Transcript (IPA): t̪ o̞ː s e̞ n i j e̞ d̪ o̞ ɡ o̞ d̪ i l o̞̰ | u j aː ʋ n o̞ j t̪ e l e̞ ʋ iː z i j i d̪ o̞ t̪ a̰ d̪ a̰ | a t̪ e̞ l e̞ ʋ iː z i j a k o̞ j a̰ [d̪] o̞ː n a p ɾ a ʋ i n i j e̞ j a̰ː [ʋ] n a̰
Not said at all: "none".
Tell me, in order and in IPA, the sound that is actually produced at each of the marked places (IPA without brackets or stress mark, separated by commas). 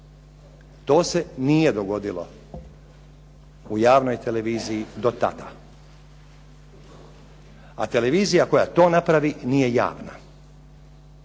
t̪, ʋ